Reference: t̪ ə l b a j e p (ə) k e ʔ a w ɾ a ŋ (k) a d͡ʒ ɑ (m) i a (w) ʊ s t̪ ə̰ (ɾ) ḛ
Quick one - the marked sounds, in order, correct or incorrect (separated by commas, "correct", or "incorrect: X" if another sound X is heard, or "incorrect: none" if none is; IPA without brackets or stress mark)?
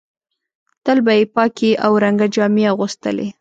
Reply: incorrect: ɑ, incorrect: ɡ, correct, incorrect: ɣ, incorrect: l